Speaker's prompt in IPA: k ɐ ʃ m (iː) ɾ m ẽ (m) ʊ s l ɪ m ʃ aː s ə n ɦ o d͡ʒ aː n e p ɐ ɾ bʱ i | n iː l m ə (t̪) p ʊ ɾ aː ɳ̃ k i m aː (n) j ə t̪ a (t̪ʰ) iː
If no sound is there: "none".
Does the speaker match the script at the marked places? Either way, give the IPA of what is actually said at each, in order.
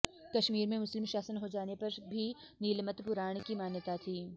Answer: iː, m, t̪, n, t̪ʰ

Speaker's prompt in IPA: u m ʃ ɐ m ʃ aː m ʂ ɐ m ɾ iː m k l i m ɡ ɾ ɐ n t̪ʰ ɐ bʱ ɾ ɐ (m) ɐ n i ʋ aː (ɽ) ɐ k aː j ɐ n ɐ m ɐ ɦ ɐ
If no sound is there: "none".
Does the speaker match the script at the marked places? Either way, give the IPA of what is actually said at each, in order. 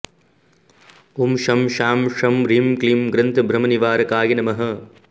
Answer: m, ɾ

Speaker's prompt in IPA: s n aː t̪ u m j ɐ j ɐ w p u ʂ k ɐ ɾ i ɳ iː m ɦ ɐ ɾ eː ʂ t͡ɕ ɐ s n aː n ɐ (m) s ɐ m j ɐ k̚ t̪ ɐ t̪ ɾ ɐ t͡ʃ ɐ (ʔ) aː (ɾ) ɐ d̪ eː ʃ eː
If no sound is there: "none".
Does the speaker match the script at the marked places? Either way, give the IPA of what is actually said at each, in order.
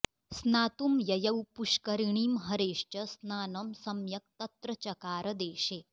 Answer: m, k, ɾ

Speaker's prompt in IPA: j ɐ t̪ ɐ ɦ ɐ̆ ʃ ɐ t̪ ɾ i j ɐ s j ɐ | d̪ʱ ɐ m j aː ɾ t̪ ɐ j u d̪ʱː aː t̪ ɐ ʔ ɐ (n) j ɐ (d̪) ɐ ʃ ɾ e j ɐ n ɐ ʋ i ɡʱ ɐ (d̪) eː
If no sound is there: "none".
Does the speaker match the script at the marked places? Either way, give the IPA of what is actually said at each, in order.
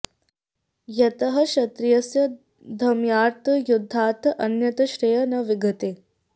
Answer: n, t̪, t̪

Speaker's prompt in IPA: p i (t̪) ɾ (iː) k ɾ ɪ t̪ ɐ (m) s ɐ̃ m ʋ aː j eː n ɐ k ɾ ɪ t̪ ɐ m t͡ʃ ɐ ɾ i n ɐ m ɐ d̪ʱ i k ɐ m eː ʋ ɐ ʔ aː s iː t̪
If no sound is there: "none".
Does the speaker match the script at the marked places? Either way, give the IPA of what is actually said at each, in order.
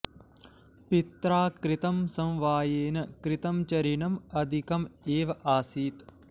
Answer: t̪, aː, m

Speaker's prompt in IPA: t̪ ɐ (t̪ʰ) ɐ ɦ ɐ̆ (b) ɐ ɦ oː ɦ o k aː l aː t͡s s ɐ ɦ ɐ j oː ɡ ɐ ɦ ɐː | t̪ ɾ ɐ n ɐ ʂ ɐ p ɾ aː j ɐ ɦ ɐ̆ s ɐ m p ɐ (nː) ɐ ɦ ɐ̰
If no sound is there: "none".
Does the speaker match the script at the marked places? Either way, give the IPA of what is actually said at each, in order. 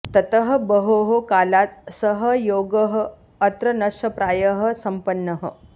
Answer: t̪, b, nː

